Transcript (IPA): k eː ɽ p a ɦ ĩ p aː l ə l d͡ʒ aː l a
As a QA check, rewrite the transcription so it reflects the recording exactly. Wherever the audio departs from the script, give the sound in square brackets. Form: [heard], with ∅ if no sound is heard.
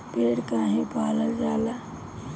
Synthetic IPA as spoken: [p] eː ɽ [k] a ɦ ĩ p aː l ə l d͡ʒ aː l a